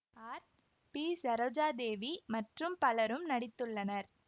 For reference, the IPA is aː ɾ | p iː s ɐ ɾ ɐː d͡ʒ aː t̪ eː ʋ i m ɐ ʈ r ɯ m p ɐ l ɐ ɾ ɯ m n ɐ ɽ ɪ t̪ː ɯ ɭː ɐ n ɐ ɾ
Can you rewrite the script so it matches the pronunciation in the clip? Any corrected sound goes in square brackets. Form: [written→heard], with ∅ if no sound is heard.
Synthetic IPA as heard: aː ɾ | p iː s ɐ ɾ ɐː d͡ʒ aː [t̪→d̪] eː ʋ i m ɐ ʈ r ɯ m p ɐ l ɐ ɾ ɯ m n ɐ ɽ ɪ t̪ː ɯ ɭː ɐ n ɐ ɾ